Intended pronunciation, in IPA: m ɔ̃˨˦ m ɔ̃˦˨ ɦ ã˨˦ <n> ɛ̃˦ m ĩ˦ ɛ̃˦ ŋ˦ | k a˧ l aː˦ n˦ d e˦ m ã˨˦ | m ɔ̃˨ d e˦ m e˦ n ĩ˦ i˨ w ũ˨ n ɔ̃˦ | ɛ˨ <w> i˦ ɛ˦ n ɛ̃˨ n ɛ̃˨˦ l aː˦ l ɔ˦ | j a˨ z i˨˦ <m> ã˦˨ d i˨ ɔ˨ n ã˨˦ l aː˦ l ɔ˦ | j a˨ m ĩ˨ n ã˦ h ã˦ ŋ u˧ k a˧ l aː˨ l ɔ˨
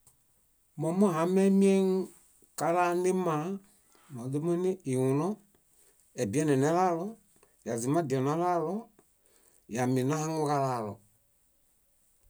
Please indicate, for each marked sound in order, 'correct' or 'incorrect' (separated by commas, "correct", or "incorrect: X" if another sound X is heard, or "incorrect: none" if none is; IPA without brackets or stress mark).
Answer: incorrect: m, incorrect: b, correct